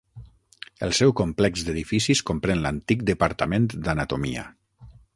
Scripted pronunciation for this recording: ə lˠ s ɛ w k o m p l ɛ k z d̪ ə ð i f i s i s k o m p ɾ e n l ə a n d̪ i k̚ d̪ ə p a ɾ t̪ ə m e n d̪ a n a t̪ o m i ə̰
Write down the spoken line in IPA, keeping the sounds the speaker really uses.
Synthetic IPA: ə lˠ s ɛ w k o m p l ɛ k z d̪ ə ð i f i s i s k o m p ɾ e n l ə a n t̪ i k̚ d̪ ə p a ɾ t̪ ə m e n d̪ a n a t̪ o m i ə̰